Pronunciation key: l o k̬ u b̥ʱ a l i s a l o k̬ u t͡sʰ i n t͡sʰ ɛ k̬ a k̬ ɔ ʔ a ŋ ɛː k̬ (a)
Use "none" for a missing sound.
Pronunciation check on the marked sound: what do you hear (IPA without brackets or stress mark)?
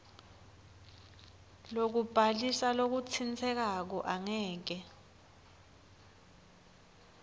ɛ